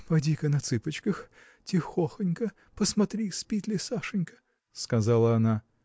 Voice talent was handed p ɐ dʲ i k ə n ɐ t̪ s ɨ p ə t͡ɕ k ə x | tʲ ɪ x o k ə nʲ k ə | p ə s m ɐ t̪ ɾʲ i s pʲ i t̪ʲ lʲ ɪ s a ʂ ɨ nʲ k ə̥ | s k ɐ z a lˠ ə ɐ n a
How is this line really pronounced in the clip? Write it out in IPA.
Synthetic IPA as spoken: p ɐ dʲ i k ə n ɐ t̪ s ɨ p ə t͡ɕ k ə x | tʲ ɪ x o x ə nʲ k ə | p ə s m ɐ t̪ ɾʲ i s pʲ i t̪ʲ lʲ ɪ s a ʂ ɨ nʲ k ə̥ | s k ɐ z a lˠ ə ɐ n a